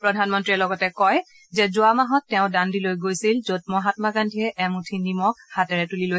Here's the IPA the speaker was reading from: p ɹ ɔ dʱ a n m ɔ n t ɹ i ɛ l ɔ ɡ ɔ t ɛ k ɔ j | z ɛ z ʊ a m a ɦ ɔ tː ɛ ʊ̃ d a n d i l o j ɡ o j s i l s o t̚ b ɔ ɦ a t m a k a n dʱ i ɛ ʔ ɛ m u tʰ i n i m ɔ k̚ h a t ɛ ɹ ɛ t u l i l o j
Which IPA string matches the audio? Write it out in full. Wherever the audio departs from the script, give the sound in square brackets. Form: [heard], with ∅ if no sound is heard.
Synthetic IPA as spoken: p ɹ ɔ dʱ a n m ɔ n t ɹ i ɛ l ɔ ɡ ɔ t ɛ k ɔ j | z ɛ z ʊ a m a ɦ ɔ tː ɛ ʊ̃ d a n d i l o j ɡ o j s i l [z] o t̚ [m] ɔ ɦ a t m a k a n dʱ i ɛ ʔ ɛ m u tʰ i n i m ɔ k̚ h a t ɛ ɹ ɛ t u l i l o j